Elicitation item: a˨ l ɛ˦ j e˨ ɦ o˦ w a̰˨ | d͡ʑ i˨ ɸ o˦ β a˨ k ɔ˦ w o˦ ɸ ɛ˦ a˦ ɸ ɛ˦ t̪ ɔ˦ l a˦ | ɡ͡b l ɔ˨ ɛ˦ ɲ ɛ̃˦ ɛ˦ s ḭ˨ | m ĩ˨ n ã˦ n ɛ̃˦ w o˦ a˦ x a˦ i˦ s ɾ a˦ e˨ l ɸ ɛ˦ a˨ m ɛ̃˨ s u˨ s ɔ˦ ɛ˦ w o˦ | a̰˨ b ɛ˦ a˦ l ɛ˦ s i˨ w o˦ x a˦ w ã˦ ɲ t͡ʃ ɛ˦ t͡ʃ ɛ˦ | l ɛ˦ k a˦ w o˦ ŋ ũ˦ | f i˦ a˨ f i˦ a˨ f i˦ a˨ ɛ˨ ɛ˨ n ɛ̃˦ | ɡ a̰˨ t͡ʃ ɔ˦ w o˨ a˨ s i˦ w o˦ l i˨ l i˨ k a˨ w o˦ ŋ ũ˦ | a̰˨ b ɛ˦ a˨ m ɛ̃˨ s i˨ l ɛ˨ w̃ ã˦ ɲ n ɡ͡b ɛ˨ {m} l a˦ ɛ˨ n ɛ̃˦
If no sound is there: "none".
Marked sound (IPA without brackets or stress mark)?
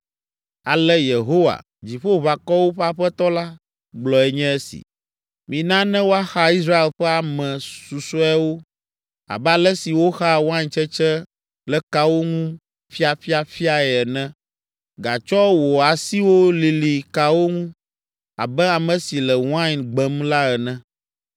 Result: m